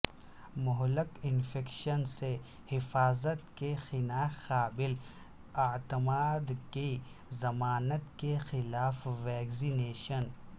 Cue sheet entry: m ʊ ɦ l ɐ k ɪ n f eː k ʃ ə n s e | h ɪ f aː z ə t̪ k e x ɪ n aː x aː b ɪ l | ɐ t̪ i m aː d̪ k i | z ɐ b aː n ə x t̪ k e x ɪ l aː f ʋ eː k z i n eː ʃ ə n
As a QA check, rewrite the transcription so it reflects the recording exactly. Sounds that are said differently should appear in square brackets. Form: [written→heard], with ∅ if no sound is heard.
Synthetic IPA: m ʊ ɦ l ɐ k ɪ n f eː k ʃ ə n s e | h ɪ f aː z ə t̪ k e x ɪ n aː x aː b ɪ l | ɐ t̪ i m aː d̪ k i | z ɐ [b→m] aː n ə [x→∅] t̪ k e x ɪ l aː f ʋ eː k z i n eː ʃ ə n